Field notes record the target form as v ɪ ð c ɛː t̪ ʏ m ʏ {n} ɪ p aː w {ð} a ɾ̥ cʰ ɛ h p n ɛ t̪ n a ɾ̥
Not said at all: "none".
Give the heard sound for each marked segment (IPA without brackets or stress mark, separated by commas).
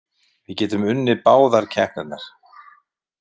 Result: nː, ð